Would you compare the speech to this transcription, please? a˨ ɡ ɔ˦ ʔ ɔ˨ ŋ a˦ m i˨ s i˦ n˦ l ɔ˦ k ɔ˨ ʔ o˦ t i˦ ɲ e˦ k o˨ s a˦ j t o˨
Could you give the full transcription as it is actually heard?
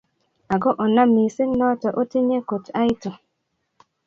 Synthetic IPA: a˨ ɡ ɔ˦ ʔ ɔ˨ n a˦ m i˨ s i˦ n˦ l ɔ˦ t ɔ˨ ʔ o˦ t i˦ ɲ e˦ k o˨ t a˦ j t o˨